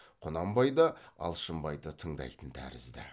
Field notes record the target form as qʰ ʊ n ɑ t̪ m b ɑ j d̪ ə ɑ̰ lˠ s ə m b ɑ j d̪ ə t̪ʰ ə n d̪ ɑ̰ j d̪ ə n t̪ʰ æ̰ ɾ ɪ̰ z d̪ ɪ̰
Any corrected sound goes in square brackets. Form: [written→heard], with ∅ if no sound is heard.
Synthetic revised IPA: qʰ ʊ n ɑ [t̪→∅] m b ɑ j d̪ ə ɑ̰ lˠ [s→ʃ] ə m b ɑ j d̪ ə t̪ʰ ə [n→ɴ] d̪ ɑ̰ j [d̪→t̪] ə n t̪ʰ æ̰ ɾ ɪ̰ z d̪ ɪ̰